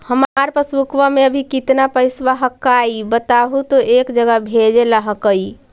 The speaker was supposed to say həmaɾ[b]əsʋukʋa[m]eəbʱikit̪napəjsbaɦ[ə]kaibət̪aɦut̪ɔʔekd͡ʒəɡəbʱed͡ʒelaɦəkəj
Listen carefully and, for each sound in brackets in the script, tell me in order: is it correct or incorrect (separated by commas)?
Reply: incorrect, correct, correct